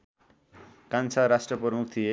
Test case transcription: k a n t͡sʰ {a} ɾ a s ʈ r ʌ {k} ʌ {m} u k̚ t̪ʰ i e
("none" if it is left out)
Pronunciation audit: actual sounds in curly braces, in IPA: a, p, m

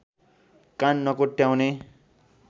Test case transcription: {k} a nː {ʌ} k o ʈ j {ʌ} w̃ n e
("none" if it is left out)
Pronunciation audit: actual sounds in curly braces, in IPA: k, ʌ, a

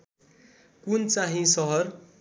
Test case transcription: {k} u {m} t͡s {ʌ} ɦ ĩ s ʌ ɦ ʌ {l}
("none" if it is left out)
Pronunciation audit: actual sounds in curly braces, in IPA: k, n, a, r

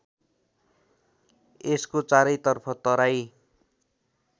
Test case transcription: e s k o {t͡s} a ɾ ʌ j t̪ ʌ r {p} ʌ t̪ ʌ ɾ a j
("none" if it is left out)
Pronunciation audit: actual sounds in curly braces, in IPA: t͡s, pʰ

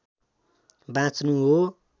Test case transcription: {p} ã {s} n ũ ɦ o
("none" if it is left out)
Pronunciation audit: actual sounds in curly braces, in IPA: b, t͡s

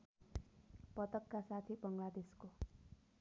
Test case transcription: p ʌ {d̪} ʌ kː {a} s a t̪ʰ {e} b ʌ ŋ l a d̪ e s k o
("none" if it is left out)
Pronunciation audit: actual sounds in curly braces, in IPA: t̪, a, i

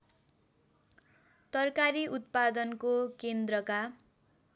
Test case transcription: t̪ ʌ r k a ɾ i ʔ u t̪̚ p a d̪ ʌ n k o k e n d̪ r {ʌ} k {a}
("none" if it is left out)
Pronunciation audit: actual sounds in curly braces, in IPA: ʌ, a

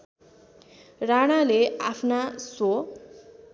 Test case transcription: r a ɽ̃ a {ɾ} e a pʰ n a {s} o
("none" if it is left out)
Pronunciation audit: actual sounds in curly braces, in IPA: l, s

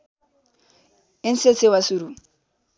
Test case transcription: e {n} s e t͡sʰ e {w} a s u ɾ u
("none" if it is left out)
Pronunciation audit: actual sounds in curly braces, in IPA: n, w

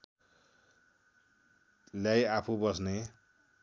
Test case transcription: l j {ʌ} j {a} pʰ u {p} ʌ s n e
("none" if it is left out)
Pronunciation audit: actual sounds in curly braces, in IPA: a, a, b

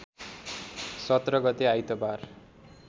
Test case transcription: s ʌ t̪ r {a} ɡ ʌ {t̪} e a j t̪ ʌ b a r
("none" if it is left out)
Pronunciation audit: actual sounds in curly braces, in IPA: ʌ, t̪

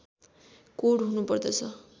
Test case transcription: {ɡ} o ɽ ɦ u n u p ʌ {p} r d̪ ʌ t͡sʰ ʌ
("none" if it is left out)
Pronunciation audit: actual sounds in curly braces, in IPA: k, none

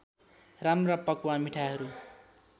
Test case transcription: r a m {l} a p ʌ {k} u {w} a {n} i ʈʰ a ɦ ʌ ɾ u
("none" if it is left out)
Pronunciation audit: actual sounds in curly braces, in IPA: r, k, w, m

